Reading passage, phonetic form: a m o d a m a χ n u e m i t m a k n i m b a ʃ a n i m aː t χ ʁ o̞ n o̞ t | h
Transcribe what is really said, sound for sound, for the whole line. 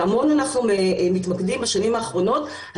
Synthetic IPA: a m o n a n a χ n u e m i t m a k d i m b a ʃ a n i m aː χ ʁ o̞ n o̞ t | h